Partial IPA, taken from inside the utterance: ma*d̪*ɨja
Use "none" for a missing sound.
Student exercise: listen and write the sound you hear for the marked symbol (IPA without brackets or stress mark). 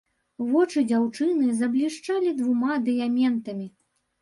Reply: d̪